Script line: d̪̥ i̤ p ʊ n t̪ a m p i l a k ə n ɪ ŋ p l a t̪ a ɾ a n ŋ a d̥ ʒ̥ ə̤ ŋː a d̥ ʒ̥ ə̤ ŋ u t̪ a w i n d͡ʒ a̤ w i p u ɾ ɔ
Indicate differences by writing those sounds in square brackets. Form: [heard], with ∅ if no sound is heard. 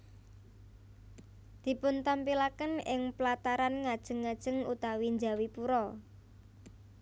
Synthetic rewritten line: d̪̥ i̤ p ʊ n t̪ a m p i l a k ə n ɪ ŋ p l a t̪ a ɾ a n ŋ a d̥ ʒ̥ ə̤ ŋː a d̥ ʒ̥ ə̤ ŋ u t̪ a w i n d͡ʒ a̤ w i p u ɾ ɔ